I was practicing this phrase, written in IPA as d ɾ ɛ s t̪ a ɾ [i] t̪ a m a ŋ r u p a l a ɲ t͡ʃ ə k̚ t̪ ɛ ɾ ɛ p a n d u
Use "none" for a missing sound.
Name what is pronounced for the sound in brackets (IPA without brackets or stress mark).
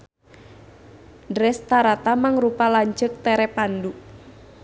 a